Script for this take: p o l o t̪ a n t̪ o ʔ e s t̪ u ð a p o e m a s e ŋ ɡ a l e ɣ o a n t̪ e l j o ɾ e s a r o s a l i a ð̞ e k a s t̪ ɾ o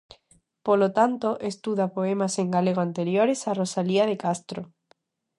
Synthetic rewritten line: p o l o t̪ a n t̪ o ʔ e s t̪ u ð a p o e m a s e ŋ ɡ a l e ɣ o a n t̪ e ɾ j o ɾ e s a r o s a l i a ð̞ e k a s t̪ ɾ o